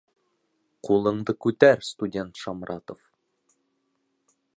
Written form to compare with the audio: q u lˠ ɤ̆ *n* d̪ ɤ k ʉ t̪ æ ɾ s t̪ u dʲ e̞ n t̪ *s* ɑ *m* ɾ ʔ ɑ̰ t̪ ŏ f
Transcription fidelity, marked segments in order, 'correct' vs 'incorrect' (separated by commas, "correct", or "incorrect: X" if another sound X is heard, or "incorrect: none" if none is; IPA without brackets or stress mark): incorrect: ɴ, incorrect: ʃ, correct